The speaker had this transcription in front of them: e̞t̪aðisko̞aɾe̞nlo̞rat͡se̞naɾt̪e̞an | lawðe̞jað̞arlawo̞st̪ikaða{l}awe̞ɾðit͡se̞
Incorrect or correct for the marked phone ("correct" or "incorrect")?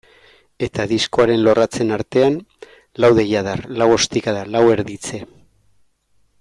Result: correct